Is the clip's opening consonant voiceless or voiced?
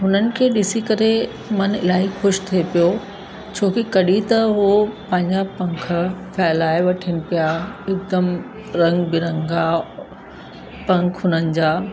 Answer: voiced